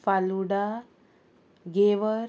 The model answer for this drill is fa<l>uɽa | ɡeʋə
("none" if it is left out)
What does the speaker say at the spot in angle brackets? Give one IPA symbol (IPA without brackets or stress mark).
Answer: l